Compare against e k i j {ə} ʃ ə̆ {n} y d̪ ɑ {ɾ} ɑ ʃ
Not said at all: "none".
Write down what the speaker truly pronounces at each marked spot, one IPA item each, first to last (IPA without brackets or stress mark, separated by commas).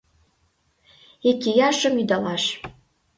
ɑ, m, l